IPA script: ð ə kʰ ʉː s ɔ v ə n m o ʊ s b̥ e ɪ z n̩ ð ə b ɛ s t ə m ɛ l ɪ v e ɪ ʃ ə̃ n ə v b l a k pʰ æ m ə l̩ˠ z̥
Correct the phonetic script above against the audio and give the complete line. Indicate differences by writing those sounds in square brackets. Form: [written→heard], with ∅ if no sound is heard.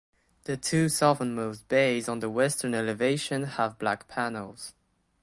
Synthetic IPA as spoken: ð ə [kʰ→tʰ] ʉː s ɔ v ə n m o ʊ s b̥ e ɪ z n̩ ð ə [b→w] ɛ s t ə [m→n] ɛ l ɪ v e ɪ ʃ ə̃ n ə v b l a k pʰ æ [m→n] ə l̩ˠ z̥